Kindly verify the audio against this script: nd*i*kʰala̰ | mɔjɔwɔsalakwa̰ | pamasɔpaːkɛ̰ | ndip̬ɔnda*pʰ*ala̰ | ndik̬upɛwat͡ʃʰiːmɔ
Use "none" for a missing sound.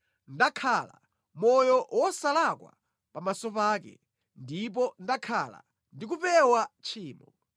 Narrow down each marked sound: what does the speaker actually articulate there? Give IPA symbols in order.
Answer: a, kʰ

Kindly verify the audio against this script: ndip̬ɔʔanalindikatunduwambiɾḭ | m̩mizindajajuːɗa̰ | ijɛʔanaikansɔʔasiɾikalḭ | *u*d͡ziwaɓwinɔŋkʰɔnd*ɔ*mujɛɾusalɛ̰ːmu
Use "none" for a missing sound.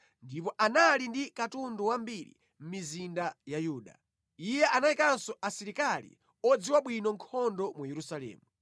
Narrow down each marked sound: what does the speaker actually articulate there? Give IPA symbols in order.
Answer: ɔ, ɔ

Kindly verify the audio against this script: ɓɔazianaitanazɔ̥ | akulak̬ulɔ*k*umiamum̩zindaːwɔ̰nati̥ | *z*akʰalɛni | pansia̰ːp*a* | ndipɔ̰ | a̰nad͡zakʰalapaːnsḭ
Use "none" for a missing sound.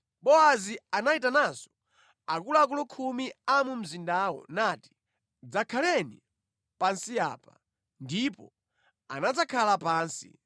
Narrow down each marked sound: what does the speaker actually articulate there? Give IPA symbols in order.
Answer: kʰ, d͡z, a

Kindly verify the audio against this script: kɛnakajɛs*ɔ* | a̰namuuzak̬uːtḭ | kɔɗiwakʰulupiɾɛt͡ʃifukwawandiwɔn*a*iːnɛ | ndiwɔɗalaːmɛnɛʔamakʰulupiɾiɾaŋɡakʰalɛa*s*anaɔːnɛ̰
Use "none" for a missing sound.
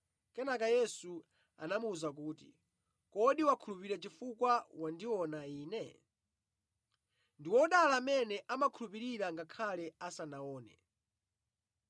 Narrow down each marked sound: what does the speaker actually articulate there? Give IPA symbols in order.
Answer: u, a, s

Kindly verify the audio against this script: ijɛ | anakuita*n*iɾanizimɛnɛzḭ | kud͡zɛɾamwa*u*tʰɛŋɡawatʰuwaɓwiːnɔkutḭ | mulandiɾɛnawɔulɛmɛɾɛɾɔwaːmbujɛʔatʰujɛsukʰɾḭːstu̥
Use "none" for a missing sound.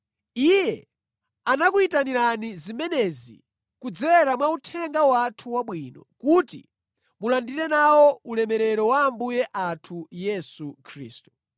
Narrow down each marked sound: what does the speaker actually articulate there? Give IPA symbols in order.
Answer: n, u

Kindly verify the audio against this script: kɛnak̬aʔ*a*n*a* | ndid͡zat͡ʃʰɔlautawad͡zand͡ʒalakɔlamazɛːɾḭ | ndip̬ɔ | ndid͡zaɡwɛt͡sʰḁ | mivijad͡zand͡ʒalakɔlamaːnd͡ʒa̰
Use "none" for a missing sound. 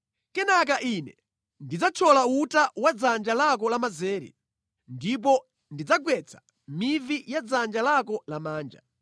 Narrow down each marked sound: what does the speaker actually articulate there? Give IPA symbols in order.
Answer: i, ɛ

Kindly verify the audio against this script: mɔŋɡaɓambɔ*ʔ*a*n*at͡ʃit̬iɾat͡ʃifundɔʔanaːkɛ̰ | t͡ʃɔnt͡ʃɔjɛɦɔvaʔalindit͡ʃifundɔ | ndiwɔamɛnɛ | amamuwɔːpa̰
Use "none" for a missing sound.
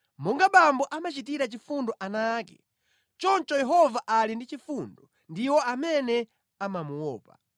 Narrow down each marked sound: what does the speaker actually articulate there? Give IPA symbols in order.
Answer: ʔ, m

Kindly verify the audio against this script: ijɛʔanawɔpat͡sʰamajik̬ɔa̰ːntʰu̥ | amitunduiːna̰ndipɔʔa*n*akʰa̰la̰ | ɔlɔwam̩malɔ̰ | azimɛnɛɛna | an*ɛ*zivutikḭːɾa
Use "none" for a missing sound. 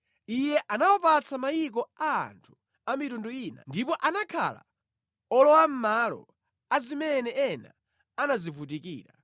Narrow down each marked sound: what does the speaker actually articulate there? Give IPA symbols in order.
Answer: n, a

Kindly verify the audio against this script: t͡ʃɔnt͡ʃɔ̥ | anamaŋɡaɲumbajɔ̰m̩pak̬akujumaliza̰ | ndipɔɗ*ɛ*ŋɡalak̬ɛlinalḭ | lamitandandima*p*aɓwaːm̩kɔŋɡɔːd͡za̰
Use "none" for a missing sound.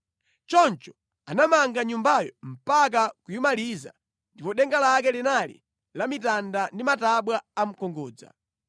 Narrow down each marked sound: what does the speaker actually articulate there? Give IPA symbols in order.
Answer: ɛ, t

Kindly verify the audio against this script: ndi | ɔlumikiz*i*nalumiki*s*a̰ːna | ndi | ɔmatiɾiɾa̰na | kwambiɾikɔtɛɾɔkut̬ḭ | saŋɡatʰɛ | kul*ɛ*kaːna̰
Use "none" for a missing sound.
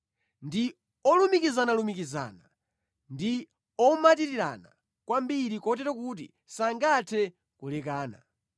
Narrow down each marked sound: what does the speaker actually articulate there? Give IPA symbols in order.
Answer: a, z, ɛ

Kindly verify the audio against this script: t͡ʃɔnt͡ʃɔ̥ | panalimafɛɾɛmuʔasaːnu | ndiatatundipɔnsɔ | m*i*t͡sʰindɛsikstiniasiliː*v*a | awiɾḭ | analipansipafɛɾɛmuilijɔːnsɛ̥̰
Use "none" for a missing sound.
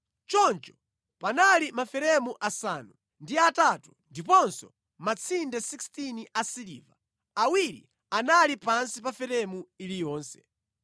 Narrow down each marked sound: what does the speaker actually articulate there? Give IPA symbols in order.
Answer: a, v

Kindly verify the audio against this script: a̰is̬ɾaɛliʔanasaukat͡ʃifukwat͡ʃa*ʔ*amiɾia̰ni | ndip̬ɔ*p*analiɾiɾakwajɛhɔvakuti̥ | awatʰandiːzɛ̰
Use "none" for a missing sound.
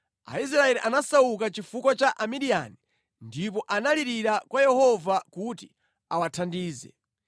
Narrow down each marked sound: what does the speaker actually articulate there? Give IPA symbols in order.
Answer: ʔ, ʔ

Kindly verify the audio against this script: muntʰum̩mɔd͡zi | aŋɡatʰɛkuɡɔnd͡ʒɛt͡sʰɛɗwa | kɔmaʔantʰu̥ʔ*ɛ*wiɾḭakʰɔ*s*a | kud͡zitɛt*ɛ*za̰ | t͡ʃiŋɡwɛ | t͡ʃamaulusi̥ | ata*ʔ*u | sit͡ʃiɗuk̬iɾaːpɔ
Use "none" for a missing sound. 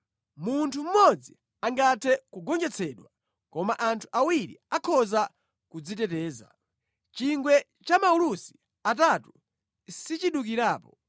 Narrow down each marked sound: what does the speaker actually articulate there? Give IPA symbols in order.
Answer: a, z, ɛː, t

